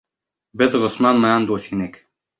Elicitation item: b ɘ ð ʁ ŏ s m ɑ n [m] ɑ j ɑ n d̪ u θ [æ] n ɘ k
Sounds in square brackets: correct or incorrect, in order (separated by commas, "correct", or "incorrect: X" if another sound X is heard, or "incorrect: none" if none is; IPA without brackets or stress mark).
correct, incorrect: i